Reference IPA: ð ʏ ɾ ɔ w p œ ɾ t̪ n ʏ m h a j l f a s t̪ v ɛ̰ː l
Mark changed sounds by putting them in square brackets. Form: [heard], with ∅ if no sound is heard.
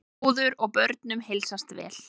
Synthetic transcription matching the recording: ð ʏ ɾ ɔ [ɣ] p œ ɾ t̪ n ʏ m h [e] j l [s] a s t̪ v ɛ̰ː l